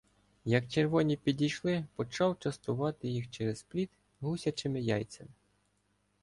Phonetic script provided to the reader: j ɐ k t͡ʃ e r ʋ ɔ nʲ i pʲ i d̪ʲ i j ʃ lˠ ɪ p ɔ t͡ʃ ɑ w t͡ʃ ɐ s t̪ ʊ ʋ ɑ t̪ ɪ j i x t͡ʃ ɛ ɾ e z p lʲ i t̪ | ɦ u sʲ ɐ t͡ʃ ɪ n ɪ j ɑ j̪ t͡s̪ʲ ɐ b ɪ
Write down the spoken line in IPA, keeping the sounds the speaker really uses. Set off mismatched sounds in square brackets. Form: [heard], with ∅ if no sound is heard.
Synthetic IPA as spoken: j ɐ k t͡ʃ e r ʋ ɔ nʲ i pʲ i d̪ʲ i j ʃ lˠ ɪ p ɔ t͡ʃ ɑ w t͡ʃ ɐ s t̪ ʊ ʋ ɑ t̪ ɪ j i x t͡ʃ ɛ ɾ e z p lʲ i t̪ | ɦ u sʲ ɐ t͡ʃ ɪ [m] ɪ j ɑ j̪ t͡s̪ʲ ɐ [m] ɪ